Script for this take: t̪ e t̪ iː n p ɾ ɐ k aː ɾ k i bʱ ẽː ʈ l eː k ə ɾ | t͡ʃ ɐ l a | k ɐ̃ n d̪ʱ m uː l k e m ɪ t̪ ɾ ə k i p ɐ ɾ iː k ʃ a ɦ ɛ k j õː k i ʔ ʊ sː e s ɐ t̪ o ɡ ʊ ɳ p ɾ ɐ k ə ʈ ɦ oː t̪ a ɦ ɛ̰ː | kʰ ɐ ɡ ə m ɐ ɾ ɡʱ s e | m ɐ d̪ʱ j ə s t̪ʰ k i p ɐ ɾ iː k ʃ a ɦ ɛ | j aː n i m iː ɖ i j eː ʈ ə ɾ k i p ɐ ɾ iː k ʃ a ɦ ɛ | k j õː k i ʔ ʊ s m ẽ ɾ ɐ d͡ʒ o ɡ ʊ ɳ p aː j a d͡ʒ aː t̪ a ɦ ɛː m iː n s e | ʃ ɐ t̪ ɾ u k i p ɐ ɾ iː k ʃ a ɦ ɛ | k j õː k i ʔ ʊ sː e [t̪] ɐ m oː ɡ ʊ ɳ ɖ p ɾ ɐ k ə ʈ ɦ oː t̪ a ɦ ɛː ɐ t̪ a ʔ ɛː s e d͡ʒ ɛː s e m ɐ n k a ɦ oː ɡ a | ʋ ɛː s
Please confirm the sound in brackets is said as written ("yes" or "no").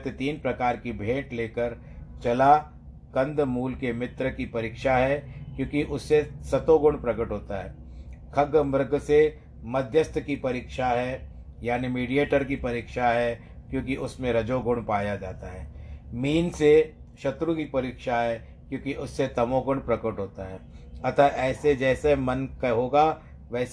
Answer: yes